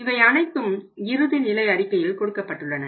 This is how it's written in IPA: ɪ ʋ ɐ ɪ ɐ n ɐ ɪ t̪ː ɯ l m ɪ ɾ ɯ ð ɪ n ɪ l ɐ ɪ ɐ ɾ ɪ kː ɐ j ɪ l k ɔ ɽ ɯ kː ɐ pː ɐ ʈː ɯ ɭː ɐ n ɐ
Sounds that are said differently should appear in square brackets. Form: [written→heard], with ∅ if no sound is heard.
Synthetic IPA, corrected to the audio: ɪ ʋ ɐ ɪ ɐ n ɐ ɪ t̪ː ɯ [l→∅] m ɪ ɾ ɯ ð ɪ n ɪ l ɐ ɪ ɐ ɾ ɪ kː ɐ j ɪ l k ɔ ɽ ɯ kː ɐ pː ɐ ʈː ɯ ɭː ɐ n ɐ